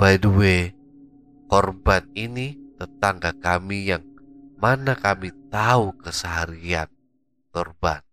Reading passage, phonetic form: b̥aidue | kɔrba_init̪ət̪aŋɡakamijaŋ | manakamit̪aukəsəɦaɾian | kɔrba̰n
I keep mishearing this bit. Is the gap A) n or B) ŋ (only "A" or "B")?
A